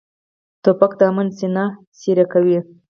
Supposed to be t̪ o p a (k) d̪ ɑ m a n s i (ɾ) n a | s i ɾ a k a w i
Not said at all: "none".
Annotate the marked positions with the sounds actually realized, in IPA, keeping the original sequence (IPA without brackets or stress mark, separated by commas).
k, none